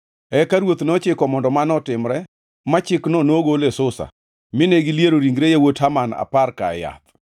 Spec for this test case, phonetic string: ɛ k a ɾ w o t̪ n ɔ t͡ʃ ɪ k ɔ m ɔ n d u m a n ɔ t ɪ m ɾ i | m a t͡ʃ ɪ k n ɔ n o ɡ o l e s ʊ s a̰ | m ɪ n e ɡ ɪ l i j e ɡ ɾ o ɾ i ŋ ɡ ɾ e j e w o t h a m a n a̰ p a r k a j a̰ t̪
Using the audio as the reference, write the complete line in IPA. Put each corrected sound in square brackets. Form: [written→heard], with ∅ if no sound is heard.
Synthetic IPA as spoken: ɛ k a ɾ w o t̪ n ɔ t͡ʃ ɪ k ɔ m ɔ n d [u→ɔ] m a n ɔ t ɪ m ɾ [i→ɛ] | m a t͡ʃ ɪ k n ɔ n o ɡ o l e s ʊ s a̰ | m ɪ n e ɡ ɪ l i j e [ɡ→∅] ɾ o ɾ i ŋ ɡ ɾ e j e w o t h a m a n a̰ p a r k a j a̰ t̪